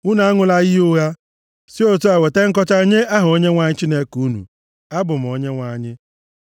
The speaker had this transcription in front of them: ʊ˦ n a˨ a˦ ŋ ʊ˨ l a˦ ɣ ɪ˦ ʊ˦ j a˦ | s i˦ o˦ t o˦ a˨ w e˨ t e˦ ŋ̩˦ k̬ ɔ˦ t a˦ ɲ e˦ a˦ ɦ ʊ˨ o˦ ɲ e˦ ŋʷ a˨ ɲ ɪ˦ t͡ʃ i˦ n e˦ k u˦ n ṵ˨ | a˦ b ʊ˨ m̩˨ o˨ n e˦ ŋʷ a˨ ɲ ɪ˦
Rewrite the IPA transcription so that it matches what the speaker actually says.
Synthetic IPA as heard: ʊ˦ n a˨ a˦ ŋ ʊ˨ l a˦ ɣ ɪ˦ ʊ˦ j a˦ | s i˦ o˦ t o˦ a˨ w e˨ t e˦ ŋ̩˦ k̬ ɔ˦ t͡ʃ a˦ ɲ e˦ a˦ ɦ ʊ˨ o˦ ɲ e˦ ŋʷ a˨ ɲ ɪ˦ t͡ʃ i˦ n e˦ k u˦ n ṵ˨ | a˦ b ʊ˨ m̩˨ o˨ ɲ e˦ ŋʷ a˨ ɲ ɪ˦